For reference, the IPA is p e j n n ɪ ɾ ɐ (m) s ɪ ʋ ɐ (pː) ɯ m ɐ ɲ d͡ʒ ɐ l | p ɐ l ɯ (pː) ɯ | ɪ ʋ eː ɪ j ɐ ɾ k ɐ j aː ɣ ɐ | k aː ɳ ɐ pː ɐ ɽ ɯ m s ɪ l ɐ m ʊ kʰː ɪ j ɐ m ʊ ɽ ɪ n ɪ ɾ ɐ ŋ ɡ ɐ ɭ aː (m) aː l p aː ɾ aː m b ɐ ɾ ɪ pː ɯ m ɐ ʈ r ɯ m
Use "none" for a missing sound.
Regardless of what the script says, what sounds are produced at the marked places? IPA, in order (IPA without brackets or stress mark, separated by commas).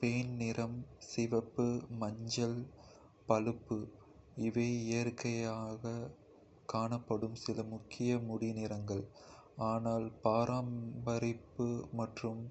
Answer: m, pː, pː, n